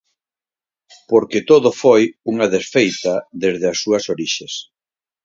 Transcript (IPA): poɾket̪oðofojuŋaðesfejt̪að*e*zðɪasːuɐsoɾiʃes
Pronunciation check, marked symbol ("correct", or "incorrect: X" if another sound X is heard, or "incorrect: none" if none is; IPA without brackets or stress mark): correct